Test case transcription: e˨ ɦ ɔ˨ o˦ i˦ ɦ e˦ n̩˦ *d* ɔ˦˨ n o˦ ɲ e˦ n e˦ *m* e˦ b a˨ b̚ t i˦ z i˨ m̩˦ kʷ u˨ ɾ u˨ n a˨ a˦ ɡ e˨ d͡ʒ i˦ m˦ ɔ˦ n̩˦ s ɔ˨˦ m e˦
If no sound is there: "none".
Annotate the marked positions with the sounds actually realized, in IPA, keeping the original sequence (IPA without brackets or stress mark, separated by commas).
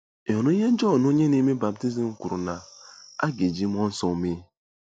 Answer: d͡ʒ, m